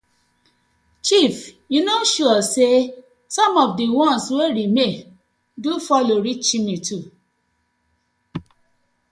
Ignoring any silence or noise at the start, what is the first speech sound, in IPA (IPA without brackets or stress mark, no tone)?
t͡ʃ